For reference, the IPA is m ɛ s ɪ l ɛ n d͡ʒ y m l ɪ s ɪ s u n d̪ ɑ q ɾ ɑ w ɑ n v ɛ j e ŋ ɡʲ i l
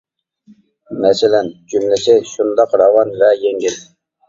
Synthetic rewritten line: m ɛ s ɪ l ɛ n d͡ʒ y m l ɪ s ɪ ʃ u n d̪ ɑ q ɾ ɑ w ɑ n v ɛ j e ŋ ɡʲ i l